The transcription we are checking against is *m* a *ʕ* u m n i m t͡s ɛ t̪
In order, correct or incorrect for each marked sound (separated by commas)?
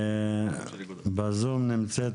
incorrect, incorrect